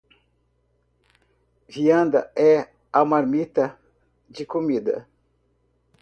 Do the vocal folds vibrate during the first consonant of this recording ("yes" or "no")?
yes